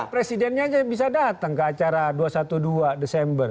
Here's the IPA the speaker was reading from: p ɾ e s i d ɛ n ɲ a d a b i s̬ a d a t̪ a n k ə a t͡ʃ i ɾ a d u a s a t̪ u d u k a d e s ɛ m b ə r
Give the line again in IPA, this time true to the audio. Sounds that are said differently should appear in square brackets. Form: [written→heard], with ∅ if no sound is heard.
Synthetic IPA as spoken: p ɾ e s i d ɛ n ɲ a [d→d͡ʒ] a b i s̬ a d a t̪ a [n→ŋ] k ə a t͡ʃ [i→a] ɾ a d u a s a t̪ u d u [k→∅] a d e s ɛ m b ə r